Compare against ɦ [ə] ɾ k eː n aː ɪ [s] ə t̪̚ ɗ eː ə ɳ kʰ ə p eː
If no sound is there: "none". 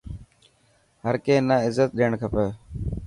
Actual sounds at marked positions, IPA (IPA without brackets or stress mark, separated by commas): ə, z